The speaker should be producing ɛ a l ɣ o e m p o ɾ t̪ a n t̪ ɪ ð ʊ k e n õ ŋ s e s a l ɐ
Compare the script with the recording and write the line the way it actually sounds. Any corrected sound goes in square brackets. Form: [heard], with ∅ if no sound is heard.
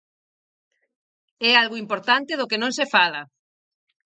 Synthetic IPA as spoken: ɛ a l ɣ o [i] m p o ɾ t̪ a n t̪ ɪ ð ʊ k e n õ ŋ s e [f] a l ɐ